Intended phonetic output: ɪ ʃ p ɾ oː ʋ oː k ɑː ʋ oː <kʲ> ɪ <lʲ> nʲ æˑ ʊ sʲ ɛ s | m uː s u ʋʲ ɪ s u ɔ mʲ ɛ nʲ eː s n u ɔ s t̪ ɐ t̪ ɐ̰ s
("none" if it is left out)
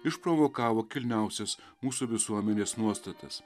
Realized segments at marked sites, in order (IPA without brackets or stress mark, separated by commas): kʲ, lʲ